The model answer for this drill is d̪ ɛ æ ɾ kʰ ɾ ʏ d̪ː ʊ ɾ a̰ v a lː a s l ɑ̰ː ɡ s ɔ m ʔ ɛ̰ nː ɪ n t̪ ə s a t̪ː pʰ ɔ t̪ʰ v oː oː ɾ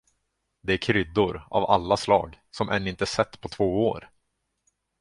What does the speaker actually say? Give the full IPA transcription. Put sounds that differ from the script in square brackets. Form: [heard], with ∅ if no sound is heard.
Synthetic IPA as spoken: d̪ ɛ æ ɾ kʰ ɾ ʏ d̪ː ʊ ɾ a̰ v a lː a s l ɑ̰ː ɡ s ɔ m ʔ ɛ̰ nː ɪ n t̪ ə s [ɛ] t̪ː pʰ ɔ t̪ʰ v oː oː ɾ